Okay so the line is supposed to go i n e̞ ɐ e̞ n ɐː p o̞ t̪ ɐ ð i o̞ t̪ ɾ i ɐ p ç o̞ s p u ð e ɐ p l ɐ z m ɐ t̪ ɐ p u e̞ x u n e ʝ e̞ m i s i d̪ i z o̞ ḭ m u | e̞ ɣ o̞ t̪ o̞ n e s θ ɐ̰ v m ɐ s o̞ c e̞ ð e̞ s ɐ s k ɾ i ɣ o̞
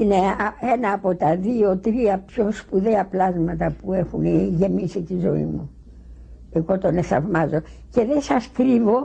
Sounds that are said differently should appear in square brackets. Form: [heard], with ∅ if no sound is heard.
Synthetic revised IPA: i n e̞ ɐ e̞ n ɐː p o̞ t̪ ɐ ð i o̞ t̪ ɾ i ɐ p ç o̞ s p u ð e ɐ p l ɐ z m ɐ t̪ ɐ p u e̞ x u n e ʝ e̞ m i s i [t̪] i z o̞ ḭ m u | e̞ ɣ o̞ t̪ o̞ n e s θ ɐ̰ v m ɐ [z] o̞ c e̞ ð e̞ s ɐ s k ɾ i [v] o̞